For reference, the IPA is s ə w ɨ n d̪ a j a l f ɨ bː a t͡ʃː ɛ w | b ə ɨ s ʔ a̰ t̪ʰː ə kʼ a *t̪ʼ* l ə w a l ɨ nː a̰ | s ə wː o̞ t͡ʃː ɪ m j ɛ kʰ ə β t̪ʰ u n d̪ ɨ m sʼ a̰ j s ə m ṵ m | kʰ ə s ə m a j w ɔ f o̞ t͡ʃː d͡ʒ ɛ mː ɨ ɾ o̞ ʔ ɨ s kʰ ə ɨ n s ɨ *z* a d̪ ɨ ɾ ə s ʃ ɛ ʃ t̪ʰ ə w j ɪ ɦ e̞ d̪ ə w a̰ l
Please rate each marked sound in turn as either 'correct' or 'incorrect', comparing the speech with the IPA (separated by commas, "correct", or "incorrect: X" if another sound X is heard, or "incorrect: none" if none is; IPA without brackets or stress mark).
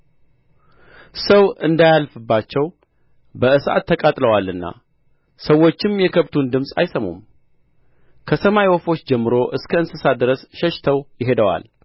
correct, incorrect: s